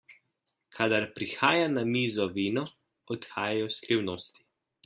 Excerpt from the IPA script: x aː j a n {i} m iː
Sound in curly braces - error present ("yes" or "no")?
yes